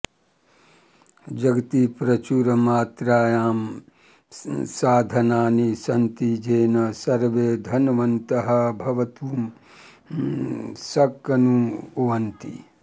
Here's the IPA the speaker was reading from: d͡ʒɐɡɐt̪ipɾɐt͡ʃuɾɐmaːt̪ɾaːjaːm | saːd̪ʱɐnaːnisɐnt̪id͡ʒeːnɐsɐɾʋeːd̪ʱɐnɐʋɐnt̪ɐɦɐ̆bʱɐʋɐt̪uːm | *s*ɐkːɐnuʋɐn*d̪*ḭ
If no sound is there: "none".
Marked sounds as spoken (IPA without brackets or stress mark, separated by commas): s, t̪